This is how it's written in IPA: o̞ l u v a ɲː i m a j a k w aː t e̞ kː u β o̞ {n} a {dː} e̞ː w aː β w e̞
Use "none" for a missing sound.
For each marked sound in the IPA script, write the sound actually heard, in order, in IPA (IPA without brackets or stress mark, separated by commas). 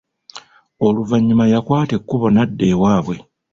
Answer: n, dː